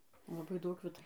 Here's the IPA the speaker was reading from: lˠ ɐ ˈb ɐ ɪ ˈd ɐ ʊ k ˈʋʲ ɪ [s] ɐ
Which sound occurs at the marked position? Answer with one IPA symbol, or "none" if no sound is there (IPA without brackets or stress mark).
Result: t